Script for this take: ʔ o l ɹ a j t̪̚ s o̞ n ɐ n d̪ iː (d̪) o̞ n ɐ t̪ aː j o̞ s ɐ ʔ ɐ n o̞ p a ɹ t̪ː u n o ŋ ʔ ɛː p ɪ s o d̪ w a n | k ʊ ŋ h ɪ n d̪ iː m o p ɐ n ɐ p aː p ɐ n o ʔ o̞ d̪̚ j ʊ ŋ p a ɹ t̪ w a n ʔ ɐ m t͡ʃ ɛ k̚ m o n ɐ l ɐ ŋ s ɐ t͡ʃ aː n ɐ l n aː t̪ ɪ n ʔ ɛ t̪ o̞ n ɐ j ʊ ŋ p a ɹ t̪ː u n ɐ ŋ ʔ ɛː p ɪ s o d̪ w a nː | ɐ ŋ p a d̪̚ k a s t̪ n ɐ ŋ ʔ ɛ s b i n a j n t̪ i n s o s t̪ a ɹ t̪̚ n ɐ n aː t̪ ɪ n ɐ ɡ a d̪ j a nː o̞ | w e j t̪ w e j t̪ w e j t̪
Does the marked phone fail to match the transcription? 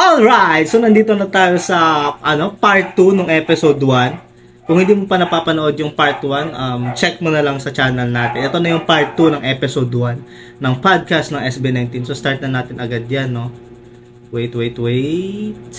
yes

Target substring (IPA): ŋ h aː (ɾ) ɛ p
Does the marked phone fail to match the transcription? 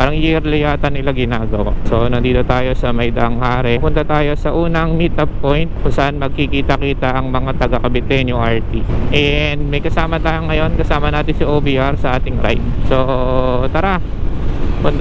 no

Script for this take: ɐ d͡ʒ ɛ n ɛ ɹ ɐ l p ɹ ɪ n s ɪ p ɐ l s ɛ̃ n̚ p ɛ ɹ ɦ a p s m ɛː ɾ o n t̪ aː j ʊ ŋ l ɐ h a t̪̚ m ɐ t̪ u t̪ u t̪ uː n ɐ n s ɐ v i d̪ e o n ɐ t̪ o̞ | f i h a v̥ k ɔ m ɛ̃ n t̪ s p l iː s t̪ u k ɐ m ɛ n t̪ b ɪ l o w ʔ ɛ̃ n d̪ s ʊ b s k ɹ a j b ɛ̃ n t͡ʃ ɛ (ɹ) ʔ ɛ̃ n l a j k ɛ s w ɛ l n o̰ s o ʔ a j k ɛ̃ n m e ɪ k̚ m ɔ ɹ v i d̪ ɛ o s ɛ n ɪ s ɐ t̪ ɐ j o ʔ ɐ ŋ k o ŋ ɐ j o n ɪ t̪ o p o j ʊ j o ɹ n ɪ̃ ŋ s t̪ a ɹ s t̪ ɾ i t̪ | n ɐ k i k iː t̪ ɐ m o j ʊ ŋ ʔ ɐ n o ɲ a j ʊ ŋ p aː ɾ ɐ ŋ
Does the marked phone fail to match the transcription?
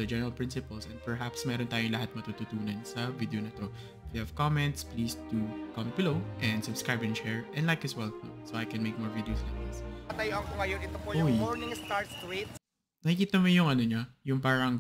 no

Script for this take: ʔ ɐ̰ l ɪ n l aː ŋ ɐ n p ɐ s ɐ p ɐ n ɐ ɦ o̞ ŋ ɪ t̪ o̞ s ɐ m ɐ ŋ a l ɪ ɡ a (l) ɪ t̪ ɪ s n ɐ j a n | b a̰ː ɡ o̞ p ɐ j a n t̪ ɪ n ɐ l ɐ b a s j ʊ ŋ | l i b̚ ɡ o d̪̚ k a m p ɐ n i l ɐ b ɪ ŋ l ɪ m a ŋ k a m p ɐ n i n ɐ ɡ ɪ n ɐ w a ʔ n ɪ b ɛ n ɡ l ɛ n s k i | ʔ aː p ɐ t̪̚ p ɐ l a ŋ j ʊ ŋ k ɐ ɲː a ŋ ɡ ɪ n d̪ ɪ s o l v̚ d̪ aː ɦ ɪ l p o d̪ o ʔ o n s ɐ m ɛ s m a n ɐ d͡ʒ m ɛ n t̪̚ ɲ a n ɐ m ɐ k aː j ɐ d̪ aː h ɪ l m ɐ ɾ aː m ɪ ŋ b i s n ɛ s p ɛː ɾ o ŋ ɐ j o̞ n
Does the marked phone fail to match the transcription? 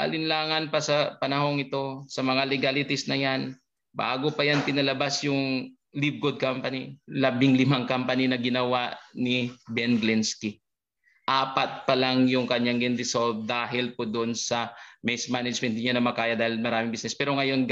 no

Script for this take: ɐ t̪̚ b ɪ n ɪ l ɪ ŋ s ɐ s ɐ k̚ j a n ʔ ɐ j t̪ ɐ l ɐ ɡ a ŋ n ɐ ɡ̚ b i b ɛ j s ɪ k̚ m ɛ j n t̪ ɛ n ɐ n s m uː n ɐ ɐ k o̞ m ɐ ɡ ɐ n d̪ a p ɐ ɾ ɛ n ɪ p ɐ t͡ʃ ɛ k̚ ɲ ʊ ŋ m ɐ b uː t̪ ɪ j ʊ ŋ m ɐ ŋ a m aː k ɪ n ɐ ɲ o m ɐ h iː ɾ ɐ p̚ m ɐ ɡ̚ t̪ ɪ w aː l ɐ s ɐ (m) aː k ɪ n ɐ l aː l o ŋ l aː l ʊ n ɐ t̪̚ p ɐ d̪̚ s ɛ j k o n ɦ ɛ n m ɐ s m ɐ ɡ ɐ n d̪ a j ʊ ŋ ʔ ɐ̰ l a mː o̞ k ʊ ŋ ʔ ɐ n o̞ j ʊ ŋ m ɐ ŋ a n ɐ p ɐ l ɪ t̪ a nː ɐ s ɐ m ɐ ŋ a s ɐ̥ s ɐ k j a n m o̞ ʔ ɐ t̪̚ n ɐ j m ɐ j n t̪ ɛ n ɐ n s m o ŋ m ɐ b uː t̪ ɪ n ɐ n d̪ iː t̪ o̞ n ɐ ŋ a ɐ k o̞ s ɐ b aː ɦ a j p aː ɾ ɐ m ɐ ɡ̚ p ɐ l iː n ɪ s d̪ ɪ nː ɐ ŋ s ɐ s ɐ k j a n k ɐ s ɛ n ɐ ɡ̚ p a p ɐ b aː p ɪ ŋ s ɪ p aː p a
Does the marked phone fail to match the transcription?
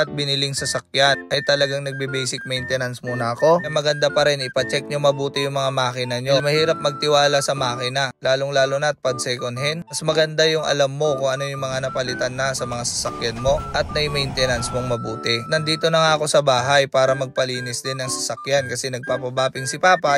no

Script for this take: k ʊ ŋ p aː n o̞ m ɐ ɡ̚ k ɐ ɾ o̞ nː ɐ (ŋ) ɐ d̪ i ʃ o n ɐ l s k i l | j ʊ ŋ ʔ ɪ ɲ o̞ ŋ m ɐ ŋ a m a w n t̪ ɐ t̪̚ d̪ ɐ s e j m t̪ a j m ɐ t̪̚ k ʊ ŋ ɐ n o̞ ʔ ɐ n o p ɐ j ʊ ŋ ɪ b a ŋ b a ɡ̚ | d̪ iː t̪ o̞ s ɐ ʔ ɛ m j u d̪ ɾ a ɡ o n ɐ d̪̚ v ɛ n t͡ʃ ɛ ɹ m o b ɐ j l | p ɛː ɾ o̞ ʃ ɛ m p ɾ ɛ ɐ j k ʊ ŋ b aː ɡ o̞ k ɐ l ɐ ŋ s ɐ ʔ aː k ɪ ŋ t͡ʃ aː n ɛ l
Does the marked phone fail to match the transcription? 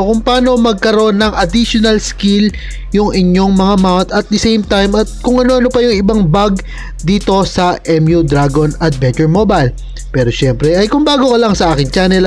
no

